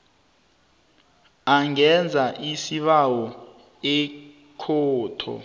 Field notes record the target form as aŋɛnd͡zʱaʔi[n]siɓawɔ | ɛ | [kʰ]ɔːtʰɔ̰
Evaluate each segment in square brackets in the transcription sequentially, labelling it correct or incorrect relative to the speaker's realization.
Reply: incorrect, correct

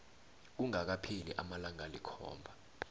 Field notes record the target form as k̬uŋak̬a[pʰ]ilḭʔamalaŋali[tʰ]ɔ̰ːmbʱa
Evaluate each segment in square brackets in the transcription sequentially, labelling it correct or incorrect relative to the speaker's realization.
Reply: correct, incorrect

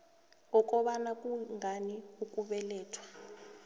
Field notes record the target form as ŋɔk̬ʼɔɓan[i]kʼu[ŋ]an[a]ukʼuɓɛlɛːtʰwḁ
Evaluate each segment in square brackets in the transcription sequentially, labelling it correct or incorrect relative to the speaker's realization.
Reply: incorrect, correct, incorrect

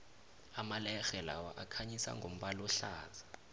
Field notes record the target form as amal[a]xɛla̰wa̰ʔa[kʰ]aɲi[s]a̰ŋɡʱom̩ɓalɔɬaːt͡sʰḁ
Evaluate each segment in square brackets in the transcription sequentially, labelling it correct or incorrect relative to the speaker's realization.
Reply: incorrect, correct, correct

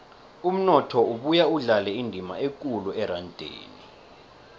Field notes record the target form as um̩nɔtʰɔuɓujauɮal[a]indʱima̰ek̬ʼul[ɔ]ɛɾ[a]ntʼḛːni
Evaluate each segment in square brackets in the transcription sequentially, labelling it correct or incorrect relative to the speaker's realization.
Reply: incorrect, incorrect, correct

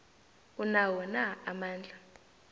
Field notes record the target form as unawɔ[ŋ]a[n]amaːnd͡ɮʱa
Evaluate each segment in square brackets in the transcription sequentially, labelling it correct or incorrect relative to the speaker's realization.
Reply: incorrect, incorrect

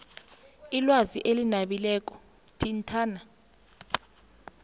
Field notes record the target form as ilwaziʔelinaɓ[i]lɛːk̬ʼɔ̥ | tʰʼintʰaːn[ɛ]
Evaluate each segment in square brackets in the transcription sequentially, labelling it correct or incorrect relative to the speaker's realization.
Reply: correct, incorrect

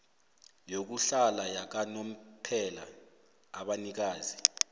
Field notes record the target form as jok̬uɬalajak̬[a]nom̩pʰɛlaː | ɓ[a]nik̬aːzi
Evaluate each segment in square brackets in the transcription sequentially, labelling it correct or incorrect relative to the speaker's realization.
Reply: correct, correct

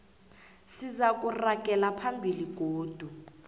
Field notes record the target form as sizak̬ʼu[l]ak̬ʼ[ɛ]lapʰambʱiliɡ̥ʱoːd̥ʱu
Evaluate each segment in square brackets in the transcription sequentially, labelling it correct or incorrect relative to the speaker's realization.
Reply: incorrect, correct

